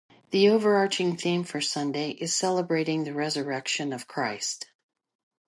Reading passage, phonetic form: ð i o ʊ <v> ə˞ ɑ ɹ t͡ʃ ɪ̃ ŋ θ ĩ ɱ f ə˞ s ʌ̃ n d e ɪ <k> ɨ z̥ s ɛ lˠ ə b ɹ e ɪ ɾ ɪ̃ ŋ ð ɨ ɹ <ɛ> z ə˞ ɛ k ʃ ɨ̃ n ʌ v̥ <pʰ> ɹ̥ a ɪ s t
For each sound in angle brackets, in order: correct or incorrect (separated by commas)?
correct, incorrect, correct, incorrect